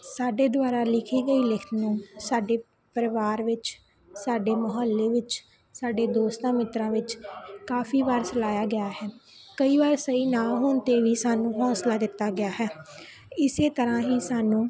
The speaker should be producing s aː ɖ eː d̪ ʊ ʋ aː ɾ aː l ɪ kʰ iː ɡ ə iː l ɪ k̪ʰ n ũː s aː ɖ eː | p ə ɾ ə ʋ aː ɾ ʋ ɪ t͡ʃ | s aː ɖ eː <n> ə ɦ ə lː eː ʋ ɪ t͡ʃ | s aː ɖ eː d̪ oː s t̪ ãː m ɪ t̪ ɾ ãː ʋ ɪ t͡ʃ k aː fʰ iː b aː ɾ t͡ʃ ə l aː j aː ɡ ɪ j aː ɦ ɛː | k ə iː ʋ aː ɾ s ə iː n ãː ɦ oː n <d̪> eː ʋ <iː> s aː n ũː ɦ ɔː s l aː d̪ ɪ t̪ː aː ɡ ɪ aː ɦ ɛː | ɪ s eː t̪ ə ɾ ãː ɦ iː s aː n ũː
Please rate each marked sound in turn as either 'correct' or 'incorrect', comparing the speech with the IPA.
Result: incorrect, incorrect, correct

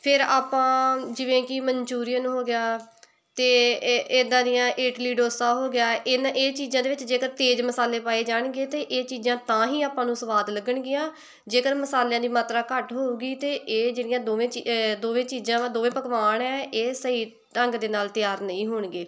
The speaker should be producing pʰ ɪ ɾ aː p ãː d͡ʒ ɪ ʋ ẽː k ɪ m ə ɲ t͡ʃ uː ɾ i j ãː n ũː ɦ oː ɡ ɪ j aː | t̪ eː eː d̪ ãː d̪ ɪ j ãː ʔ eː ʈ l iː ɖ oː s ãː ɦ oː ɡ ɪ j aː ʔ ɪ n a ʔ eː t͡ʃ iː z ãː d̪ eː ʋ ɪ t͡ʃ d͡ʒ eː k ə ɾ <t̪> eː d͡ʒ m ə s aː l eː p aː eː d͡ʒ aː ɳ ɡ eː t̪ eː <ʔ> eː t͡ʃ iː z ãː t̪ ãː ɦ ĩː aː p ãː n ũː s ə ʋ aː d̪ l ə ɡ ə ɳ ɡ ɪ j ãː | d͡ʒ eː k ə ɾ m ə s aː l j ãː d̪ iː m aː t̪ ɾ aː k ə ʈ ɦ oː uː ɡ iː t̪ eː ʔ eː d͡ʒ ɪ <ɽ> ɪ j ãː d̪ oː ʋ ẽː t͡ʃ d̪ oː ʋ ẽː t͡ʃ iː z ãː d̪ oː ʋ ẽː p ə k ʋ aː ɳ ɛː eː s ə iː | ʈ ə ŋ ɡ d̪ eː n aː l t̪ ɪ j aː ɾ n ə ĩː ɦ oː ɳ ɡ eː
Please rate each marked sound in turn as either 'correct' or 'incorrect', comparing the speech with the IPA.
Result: correct, correct, correct

